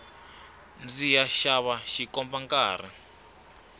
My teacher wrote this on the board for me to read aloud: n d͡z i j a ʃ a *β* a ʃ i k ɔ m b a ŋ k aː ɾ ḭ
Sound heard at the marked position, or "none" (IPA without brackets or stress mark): β